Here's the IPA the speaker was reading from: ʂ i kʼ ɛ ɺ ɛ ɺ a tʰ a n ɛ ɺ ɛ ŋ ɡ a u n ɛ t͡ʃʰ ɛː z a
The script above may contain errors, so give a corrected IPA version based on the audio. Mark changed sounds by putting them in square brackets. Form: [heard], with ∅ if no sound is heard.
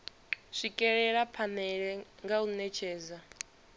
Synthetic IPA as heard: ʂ i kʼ ɛ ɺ ɛ ɺ a [pʰ] a n ɛ ɺ ɛ ŋ ɡ a u n ɛ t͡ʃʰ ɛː z a